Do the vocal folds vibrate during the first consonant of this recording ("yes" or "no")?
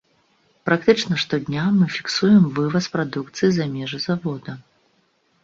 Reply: no